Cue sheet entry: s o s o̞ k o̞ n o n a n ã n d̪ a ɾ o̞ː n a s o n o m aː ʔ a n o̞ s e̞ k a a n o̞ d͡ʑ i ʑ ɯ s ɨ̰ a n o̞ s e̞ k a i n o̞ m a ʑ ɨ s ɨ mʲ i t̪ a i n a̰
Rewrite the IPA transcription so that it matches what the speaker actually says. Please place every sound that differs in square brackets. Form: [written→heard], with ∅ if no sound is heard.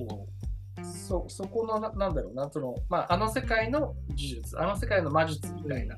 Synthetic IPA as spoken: s o s o̞ k o̞ n o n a n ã n d̪ a ɾ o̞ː n a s o n o m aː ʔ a n o̞ s e̞ k a [a→i] n o̞ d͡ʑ i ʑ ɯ [s→t͡s] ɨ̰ a n o̞ s e̞ k a i n o̞ m a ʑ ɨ [s→t͡s] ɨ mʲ i t̪ a i n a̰